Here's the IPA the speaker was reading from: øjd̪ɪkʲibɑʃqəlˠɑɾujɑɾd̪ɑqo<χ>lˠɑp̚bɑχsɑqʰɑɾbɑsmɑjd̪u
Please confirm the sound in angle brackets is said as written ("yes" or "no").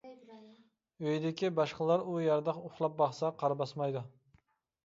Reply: yes